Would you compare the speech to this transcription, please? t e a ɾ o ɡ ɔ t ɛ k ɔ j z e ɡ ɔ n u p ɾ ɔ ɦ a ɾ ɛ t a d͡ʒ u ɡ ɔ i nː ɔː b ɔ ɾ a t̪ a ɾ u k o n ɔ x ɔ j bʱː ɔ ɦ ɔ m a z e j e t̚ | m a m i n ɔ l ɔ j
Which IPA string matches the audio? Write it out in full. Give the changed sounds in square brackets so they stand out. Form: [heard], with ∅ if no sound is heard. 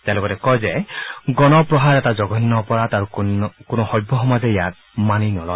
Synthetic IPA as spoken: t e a [l] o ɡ ɔ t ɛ k ɔ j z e ɡ ɔ n [ɔ] p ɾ ɔ ɦ a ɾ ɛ t a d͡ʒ [ɔ] ɡ ɔ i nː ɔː [p] ɔ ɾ a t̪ a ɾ u k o n ɔ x ɔ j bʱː ɔ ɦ ɔ m a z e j [a] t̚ | m a [n] i n ɔ l ɔ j